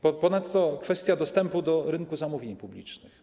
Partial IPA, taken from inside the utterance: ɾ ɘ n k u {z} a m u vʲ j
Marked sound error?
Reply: no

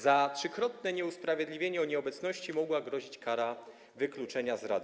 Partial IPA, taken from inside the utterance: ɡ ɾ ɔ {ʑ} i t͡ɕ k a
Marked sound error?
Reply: no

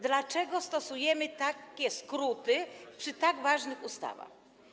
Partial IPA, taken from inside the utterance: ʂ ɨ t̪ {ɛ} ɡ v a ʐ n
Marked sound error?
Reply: yes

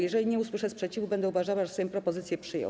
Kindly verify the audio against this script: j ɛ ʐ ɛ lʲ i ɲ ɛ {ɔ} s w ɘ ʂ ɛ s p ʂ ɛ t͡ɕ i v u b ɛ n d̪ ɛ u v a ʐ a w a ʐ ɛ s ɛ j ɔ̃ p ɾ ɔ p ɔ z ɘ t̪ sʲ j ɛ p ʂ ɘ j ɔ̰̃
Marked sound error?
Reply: yes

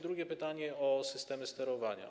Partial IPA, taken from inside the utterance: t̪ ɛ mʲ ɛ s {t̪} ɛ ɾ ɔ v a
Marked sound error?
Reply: no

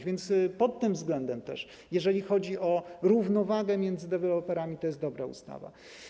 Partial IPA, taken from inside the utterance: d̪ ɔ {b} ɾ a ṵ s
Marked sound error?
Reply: no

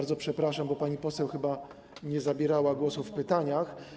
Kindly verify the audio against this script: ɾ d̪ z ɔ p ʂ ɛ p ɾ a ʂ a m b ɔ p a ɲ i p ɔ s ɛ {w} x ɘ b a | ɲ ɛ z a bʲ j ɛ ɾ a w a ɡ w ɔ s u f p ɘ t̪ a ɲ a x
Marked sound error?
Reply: no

